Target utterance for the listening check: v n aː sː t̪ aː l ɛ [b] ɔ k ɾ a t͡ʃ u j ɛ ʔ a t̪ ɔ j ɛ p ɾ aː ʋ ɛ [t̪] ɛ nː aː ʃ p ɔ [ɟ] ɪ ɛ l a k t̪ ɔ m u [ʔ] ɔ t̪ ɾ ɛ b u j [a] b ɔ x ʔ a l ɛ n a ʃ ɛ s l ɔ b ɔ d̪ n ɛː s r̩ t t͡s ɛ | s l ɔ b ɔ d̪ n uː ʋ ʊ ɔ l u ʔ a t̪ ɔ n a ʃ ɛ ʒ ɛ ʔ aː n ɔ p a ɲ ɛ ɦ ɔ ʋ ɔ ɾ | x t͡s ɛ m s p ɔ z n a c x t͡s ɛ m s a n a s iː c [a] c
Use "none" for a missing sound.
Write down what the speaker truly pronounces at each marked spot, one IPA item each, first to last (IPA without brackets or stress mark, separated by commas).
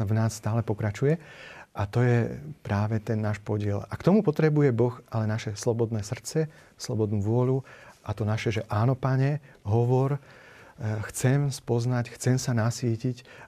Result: p, t̪, ɟ, p, ɛ, i